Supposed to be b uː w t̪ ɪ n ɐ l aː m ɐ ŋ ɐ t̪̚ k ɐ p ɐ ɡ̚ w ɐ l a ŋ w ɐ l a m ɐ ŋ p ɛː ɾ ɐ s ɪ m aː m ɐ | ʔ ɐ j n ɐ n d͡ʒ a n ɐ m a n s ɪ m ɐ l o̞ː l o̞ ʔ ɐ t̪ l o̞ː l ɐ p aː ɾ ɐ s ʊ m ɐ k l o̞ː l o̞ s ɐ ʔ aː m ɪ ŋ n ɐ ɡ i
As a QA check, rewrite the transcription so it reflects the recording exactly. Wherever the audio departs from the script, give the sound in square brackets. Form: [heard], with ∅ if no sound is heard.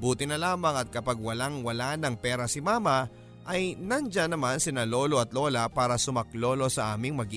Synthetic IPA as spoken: b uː [∅] t̪ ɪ n ɐ l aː m ɐ ŋ ɐ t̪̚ k ɐ p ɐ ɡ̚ w ɐ l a ŋ w ɐ l a [n] ɐ ŋ p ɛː ɾ ɐ s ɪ m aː m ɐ | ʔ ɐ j n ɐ n d͡ʒ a n ɐ m a n s ɪ [n] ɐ l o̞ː l o̞ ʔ ɐ t̪ l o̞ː l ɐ p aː ɾ ɐ s ʊ m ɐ k l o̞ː l o̞ s ɐ ʔ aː m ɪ ŋ [m] ɐ ɡ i